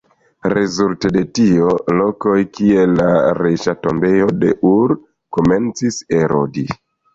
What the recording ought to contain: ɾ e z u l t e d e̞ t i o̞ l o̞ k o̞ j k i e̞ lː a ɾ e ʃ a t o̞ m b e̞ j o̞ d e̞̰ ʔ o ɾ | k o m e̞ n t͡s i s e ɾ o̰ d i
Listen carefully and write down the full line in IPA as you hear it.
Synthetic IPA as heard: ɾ e z u l t e d e̞ t i o̞ l o̞ k o̞ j k i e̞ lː a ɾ e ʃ a t o̞ m b e̞ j o̞ d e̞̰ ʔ u ɾ | k o m e̞ n t͡s i s e ɾ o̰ d i